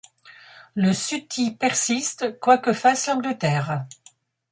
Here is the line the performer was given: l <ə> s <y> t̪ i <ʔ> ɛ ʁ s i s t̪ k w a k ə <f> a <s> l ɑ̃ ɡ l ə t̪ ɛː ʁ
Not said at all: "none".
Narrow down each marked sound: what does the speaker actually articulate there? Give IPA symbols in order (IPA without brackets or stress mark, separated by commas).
ə, y, p, f, s